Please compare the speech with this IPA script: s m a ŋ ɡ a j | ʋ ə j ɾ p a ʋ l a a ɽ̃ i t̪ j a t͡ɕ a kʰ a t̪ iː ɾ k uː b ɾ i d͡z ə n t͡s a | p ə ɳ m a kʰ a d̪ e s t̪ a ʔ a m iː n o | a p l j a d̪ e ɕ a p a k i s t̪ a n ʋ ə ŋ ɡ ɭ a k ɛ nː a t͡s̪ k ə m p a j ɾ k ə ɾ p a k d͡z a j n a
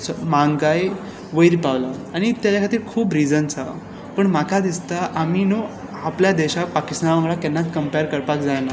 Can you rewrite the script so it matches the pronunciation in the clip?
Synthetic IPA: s m a ŋ ɡ a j | ʋ ə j ɾ p a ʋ l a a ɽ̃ i t̪ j a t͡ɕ a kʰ a t̪ iː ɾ kʰ uː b ɾ i d͡z ə n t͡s a | p ə ɳ m a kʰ a d̪ i s t̪ a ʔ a m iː n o | a p l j a d̪ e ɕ a p a k i s t̪ a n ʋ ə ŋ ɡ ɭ a k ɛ nː a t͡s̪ k ə m p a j ɾ k ə ɾ p a k d͡z a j n a